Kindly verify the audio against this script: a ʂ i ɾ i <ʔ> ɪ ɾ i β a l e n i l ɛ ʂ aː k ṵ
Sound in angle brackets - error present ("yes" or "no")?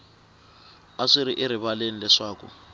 no